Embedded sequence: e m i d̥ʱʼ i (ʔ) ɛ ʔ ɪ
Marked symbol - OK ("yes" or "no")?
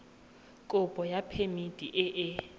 yes